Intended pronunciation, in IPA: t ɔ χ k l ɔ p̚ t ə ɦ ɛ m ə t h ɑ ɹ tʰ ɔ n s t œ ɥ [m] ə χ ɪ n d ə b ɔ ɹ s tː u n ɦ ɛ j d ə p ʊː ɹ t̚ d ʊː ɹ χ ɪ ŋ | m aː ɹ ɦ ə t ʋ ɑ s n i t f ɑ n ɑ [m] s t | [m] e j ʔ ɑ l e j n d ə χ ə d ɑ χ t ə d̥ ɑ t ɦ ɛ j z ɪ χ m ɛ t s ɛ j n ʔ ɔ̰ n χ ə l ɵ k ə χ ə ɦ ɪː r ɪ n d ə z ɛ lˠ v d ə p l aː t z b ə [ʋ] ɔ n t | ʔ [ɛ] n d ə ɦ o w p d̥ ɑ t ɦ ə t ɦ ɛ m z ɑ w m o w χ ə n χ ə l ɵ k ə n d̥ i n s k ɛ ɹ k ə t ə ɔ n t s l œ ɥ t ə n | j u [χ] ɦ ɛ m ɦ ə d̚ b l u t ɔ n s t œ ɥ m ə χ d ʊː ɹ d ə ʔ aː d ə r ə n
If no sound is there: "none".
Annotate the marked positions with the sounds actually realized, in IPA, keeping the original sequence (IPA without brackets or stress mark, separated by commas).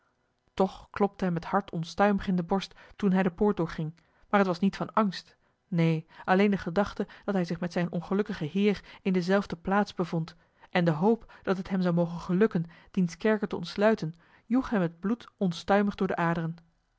m, ŋ, n, v, ɛ, χ